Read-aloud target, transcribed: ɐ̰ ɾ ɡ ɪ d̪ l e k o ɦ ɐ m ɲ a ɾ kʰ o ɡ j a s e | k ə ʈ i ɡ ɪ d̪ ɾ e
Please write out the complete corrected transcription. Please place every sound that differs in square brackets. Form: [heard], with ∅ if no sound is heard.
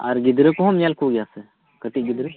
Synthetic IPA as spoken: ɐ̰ ɾ ɡ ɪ d̪ [ɾ] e k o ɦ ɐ m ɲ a [l] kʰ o ɡ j a s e | k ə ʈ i ɡ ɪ d̪ ɾ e